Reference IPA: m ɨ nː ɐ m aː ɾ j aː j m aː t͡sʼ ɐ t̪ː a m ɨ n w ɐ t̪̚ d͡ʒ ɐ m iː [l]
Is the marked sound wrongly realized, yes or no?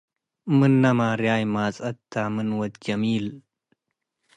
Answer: no